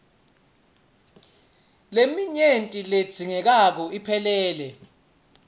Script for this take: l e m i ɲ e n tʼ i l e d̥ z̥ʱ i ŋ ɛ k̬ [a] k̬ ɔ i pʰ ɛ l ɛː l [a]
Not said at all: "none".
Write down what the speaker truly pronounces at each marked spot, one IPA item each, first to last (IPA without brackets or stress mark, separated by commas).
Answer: a, ɛ